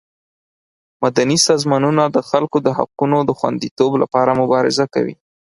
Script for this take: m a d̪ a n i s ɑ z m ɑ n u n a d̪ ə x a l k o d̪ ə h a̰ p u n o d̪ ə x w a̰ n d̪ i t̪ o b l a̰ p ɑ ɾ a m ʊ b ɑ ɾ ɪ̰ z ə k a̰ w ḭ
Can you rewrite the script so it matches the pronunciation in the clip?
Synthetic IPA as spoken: m a d̪ a n i s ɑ z m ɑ n u n a d̪ ə x a l k o d̪ ə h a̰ q u n o d̪ ə x w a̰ n d̪ i t̪ o b l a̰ p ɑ ɾ a m ʊ b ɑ ɾ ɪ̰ z a k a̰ w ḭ